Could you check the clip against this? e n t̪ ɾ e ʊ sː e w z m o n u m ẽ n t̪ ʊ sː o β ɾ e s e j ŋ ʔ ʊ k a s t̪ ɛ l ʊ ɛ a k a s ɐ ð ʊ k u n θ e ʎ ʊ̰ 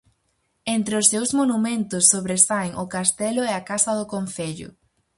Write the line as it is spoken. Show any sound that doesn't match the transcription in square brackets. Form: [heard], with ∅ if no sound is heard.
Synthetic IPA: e n t̪ ɾ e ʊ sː e w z m o n u m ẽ n t̪ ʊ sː o β ɾ e s [a] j ŋ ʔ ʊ k a s t̪ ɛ l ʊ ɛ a k a s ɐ ð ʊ k [o] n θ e ʎ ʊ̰